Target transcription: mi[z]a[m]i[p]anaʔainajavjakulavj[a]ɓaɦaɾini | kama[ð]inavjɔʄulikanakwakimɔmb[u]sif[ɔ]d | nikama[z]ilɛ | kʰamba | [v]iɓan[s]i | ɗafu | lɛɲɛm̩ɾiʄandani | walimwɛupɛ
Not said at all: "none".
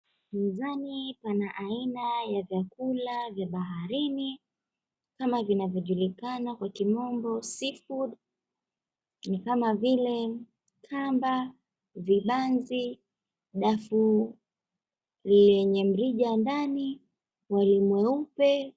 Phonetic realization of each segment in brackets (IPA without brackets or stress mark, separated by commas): z, n, p, a, v, ɔ, u, v, v, z